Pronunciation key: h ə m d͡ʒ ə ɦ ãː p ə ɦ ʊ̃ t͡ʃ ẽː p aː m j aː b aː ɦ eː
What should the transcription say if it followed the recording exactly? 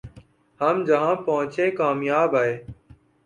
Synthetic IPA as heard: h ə m d͡ʒ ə ɦ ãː p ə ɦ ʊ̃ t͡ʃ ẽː k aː m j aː b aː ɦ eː